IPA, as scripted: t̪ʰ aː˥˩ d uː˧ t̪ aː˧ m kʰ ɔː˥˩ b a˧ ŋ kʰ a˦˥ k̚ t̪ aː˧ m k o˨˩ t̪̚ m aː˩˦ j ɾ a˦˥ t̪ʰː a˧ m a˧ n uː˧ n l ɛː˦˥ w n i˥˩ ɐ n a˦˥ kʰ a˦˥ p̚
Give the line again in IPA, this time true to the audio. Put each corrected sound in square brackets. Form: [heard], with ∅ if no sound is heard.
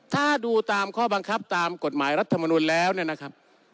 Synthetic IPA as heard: t̪ʰ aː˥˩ d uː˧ t̪ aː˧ m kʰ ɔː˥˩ b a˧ ŋ kʰ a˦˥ [p̚] t̪ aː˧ m k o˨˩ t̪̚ m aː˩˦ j ɾ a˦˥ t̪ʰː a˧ m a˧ n uː˧ n l ɛː˦˥ w n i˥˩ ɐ n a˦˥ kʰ a˦˥ p̚